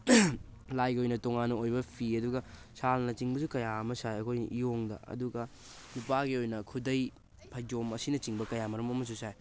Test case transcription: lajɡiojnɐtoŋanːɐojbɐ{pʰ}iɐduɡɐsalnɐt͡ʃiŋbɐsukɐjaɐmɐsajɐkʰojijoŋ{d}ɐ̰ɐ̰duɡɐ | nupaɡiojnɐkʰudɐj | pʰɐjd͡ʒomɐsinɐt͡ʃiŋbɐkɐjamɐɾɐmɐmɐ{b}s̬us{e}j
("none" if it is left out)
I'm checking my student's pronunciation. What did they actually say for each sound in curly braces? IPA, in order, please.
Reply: pʰ, d, none, a

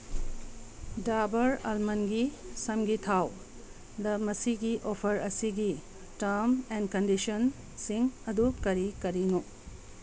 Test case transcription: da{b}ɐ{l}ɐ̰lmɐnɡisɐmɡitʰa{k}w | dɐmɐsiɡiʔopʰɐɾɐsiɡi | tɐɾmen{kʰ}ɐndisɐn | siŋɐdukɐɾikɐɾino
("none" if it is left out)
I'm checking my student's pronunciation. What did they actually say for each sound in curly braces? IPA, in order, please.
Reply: b, ɾ, none, k

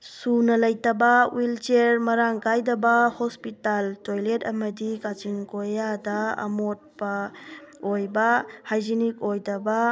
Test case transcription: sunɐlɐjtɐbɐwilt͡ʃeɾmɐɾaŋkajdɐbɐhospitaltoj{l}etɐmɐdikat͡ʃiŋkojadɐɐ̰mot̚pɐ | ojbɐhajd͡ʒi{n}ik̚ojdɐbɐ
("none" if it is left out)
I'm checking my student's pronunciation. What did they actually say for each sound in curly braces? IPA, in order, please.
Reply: l, n

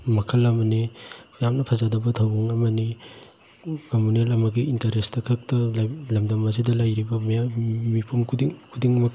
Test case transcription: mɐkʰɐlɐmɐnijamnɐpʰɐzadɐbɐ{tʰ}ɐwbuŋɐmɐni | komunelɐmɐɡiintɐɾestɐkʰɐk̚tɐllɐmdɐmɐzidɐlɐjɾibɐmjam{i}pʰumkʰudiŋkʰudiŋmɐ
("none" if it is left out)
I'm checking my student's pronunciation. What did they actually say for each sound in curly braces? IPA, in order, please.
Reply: tʰ, i

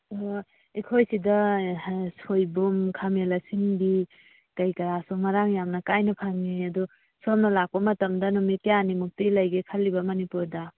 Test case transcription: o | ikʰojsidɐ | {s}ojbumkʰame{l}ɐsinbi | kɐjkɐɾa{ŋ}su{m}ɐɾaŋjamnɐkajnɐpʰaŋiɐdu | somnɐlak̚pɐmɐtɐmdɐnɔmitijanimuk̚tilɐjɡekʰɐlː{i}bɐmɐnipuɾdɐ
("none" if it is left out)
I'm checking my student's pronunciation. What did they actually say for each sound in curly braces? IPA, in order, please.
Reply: s, l, none, m, i

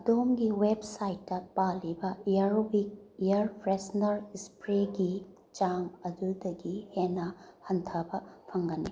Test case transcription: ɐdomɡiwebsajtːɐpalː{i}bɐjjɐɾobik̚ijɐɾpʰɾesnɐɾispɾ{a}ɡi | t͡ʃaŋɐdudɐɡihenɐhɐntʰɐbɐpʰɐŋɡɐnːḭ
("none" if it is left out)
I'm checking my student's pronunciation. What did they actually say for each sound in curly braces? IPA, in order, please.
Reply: i, e

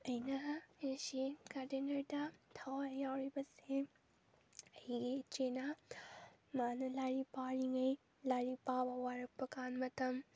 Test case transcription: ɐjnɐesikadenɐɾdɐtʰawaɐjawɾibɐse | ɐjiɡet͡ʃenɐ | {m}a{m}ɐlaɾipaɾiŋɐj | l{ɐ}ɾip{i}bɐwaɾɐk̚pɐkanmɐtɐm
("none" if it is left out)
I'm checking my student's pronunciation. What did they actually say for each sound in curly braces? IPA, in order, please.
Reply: m, n, a, a

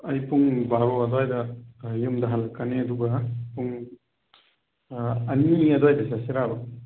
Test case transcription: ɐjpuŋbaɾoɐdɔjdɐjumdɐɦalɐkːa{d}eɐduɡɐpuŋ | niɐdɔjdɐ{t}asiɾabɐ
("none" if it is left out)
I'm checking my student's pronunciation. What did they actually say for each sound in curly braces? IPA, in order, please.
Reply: n, s

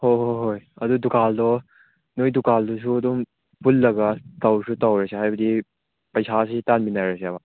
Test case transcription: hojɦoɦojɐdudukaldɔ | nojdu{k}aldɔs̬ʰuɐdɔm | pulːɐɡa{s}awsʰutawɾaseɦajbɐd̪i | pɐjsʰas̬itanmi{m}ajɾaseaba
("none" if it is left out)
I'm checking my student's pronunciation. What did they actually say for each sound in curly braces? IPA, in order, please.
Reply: k, t, n

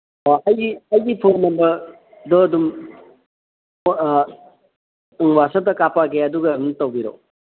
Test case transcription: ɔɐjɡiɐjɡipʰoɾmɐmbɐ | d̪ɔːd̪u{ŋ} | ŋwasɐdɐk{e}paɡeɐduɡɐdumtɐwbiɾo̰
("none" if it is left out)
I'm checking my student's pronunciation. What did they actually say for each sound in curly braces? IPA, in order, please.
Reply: m, a

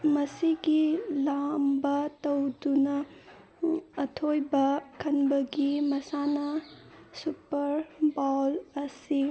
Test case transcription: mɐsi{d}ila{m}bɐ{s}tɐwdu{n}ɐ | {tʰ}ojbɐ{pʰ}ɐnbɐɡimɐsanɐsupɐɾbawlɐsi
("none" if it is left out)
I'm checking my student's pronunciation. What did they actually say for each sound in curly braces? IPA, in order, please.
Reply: ɡ, m, none, n, tʰ, kʰ

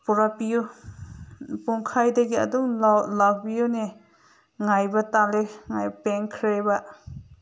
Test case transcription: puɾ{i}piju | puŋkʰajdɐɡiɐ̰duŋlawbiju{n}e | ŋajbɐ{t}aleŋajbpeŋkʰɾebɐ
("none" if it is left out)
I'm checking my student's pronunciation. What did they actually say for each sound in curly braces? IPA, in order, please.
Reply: a, n, t

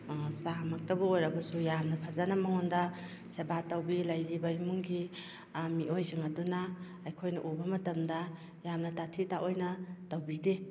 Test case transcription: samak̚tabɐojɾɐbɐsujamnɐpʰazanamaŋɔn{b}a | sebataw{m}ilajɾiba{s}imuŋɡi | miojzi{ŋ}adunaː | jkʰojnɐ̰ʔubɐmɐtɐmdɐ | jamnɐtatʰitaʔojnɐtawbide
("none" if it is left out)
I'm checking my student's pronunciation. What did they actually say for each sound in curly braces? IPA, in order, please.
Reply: d, b, none, ŋ

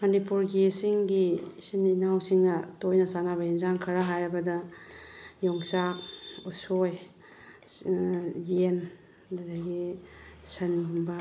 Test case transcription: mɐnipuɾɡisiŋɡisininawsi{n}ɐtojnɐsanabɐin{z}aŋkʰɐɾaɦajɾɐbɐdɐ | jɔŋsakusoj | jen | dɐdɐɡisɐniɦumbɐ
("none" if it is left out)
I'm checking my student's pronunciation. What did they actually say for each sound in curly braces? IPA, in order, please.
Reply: ŋ, z

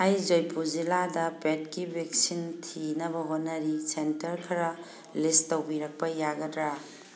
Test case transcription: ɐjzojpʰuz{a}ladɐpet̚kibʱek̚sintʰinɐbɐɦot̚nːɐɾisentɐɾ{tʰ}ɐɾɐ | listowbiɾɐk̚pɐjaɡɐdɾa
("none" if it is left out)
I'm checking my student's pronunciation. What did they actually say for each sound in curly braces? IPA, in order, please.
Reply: i, kʰ

